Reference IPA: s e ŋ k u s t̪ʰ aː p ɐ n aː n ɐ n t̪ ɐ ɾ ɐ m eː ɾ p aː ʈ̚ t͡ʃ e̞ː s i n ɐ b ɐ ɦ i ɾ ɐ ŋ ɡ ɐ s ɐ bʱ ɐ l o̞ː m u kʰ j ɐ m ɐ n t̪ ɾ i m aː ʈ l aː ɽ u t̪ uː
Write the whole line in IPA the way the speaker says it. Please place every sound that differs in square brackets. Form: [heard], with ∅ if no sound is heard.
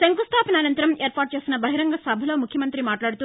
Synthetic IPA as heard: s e ŋ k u s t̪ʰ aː p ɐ n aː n ɐ n t̪ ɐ ɾ ɐ m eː ɾ p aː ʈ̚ t͡ʃ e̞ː s i n ɐ b ɐ ɦ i ɾ ɐ ŋ ɡ ɐ s ɐ bʱ ɐ l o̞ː m u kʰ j ɐ m ɐ n t̪ ɾ i m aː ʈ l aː ɽ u t̪ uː